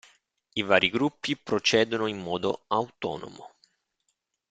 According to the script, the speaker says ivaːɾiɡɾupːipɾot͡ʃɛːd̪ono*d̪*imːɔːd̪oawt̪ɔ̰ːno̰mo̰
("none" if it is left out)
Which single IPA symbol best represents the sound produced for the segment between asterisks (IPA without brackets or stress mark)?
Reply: none